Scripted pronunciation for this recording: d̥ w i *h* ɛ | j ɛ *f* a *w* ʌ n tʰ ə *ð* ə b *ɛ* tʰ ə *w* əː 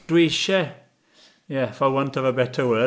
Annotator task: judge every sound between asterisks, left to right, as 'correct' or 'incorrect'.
incorrect: ʃ, correct, correct, incorrect: v, correct, correct

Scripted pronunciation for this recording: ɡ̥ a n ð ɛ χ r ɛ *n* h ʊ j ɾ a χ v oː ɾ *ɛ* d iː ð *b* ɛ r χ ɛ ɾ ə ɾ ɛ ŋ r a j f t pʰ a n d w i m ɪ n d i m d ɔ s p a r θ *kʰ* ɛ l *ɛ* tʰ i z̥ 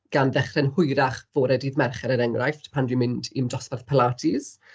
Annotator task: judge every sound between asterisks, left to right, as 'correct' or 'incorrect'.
correct, correct, incorrect: m, incorrect: pʰ, incorrect: a

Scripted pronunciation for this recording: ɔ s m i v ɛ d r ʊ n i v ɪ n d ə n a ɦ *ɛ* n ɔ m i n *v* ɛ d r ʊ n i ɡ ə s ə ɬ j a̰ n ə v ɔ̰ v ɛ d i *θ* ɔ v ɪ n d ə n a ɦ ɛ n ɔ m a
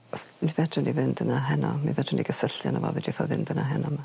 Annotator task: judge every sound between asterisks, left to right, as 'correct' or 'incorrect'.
correct, correct, correct

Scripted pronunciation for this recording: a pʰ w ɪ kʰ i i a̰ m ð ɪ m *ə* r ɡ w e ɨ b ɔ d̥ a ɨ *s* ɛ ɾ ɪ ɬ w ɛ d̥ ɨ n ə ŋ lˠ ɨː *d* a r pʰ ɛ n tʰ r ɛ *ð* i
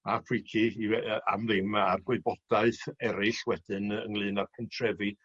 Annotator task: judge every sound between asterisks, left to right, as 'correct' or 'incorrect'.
incorrect: a, incorrect: θ, incorrect: n, incorrect: v

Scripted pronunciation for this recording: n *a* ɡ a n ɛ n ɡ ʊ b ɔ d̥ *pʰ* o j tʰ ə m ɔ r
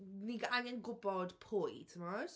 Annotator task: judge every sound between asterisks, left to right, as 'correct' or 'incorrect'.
incorrect: i, correct

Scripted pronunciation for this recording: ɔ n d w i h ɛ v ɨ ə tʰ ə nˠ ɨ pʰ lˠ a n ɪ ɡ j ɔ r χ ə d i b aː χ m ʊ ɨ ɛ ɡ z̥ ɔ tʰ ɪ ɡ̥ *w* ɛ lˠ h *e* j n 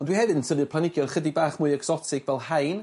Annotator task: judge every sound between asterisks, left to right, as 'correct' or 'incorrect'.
incorrect: v, incorrect: a

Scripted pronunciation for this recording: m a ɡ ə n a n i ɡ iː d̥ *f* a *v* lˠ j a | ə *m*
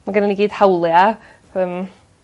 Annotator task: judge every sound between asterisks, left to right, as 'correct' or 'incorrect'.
incorrect: h, incorrect: w, correct

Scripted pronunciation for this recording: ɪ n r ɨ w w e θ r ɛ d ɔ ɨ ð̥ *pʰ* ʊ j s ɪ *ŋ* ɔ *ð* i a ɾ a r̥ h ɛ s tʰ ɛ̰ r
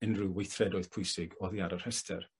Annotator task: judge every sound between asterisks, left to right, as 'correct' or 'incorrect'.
correct, incorrect: ɡ, correct

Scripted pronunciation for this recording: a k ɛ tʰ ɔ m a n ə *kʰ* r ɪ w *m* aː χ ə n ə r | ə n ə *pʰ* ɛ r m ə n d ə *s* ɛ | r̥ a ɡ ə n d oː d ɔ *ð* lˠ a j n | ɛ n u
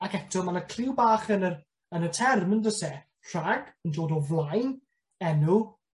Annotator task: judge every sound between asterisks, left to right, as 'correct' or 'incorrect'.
correct, incorrect: b, incorrect: tʰ, correct, incorrect: v

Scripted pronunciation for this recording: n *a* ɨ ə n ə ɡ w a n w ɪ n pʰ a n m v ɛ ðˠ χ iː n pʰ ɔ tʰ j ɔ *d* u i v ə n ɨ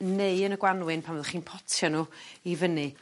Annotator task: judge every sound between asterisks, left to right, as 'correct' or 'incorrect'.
incorrect: e, incorrect: n

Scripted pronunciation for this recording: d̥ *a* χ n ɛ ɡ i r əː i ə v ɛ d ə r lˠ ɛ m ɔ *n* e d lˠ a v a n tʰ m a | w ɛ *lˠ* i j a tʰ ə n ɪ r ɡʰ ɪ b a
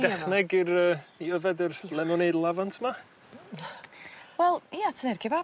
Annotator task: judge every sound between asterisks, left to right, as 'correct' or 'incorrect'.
incorrect: ɛ, correct, correct

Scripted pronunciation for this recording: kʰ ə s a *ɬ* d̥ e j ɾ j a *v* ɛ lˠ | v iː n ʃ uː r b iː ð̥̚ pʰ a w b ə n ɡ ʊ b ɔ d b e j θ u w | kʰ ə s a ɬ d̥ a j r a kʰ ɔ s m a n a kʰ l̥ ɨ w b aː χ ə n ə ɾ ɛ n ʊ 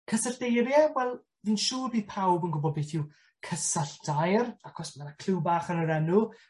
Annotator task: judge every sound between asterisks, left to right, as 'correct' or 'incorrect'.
correct, incorrect: w

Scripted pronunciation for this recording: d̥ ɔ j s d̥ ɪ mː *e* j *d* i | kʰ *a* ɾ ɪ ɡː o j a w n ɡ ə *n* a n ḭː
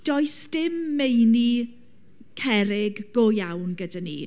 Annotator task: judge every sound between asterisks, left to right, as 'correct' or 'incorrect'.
correct, incorrect: n, incorrect: ɛ, incorrect: d

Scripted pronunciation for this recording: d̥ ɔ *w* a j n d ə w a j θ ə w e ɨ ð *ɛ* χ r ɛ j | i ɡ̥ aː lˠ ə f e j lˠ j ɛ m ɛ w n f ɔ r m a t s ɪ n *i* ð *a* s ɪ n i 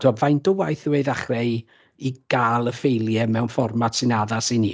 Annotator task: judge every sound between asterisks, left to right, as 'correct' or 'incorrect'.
incorrect: v, incorrect: a, incorrect: a, correct

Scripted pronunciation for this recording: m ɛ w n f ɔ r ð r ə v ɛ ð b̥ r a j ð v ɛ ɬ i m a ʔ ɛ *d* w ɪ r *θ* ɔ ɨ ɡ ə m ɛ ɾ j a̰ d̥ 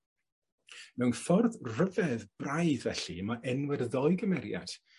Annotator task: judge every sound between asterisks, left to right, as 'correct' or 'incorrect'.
incorrect: n, incorrect: ð

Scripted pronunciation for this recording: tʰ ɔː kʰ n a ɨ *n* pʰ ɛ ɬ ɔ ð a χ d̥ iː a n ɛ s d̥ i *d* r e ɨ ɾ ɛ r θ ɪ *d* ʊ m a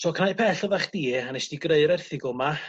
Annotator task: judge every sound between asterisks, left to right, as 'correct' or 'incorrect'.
incorrect: none, incorrect: ɡ, incorrect: ɡ

